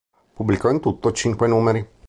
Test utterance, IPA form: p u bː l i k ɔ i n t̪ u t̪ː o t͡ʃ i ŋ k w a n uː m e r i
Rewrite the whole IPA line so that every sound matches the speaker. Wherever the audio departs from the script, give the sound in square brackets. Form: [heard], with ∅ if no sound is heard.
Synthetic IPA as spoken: p u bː l i k ɔ i n t̪ u t̪ː o t͡ʃ i ŋ k w [e] n uː m e [ɾ] i